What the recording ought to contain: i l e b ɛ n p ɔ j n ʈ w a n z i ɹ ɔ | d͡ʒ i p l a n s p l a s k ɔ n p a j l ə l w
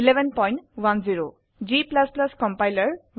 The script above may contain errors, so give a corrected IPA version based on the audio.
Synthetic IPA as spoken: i l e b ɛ n p ɔ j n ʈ w a n z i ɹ o | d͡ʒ i p l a s p l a s k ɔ m p a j l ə ɹ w

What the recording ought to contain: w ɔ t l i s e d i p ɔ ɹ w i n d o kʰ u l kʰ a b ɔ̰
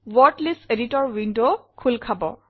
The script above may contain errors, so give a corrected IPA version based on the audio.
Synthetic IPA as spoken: w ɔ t l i s e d i t ɔ ɹ w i n d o kʰ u l kʰ a b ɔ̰

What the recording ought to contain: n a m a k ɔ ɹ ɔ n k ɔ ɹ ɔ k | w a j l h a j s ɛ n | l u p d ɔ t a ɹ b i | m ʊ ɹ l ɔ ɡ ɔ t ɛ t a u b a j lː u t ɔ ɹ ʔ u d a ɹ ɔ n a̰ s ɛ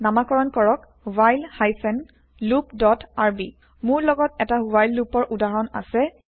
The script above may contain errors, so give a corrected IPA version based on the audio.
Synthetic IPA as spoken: n a m a k ɔ ɹ ɔ n k ɔ ɹ ɔ k | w a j l h a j s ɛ n | l u p d ɔ t a ɹ b i | m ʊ ɹ l ɔ ɡ ɔ t ɛ t a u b a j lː u p ɔ ɹ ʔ u d a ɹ ɔ n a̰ s ɛ

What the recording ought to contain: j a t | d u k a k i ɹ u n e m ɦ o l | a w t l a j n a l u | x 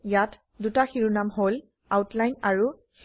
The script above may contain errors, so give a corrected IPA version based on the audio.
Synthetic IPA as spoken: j a t | d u t a x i ɹ u n a m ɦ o l | a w t l a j n a ɹ u | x

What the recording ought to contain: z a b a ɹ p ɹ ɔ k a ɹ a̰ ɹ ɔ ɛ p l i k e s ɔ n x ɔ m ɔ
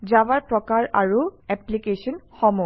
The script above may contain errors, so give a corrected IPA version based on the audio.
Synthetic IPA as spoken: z a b a ɹ p ɹ ɔ k a ɹ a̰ ɹ u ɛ p l i k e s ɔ n x ɔ m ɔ

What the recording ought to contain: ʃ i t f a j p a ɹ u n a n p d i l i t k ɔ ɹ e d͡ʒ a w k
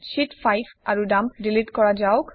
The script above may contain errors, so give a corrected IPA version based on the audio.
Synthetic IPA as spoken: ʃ i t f a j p a ɹ u d a m p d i l i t k ɔ ɹ a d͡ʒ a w k

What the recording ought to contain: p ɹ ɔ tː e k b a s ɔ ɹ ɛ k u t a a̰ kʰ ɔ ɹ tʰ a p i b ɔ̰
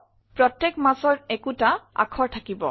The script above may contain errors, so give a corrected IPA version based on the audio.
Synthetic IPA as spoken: p ɹ ɔ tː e k m a s ɔ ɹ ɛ k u t a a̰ kʰ ɔ ɹ tʰ a k i b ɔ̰

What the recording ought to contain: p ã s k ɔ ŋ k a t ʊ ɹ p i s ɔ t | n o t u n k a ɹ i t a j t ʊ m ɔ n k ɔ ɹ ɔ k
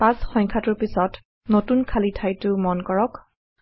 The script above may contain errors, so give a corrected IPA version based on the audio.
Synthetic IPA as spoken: p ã s x ɔ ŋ kʰ a t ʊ ɹ p i s ɔ t | n o t u n kʰ a l i tʰ a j t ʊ m ɔ n k ɔ ɹ ɔ k

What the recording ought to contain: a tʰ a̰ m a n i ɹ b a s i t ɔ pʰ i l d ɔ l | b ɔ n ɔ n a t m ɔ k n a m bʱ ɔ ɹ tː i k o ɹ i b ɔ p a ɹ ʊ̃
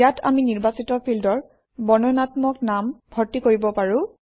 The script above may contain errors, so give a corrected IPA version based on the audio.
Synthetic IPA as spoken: a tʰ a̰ m i n i ɹ b a s i t ɔ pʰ i l d ɔ ɹ | b ɔ n ɔ n a t m ɔ k n a m bʱ ɔ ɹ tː i k o ɹ i b ɔ p a ɹ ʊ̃

